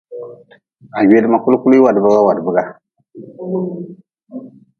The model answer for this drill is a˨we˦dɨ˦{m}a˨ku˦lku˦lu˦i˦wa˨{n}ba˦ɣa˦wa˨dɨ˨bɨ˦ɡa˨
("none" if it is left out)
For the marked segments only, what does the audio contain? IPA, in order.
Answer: m, d

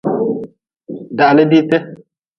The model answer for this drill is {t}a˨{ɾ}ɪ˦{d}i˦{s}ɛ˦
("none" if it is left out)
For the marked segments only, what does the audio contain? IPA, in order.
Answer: d, l, d, t

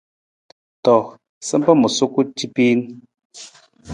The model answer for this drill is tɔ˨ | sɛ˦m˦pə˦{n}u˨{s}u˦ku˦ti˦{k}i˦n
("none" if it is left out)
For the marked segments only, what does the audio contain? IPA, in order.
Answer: m, s, p

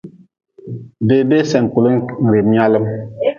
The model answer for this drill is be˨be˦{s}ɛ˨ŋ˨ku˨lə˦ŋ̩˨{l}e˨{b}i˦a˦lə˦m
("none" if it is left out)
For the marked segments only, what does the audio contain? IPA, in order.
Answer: s, ɾ, m

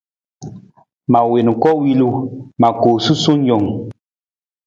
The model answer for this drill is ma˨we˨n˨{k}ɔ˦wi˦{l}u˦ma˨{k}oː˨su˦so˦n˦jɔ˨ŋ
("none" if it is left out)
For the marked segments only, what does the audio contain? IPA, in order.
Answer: k, l, k

